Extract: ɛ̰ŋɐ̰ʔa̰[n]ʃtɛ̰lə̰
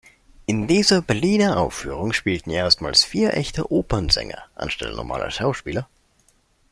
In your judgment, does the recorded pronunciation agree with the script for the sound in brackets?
yes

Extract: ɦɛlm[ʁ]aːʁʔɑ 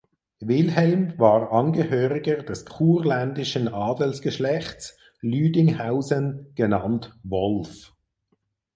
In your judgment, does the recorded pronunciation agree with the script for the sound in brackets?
no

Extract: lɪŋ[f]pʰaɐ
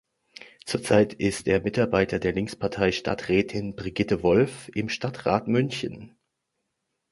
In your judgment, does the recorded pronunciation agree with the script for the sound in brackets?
no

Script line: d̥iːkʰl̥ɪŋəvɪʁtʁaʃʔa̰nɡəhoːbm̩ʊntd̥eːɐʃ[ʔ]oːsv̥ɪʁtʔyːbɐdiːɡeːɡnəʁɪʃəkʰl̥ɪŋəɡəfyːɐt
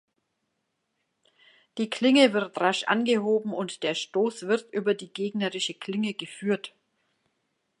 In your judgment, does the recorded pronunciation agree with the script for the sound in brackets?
no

